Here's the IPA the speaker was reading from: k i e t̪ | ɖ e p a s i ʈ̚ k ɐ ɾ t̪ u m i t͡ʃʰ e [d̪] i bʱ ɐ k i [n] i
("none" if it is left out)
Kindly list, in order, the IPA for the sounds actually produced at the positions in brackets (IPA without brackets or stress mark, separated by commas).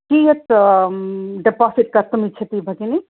t̪, n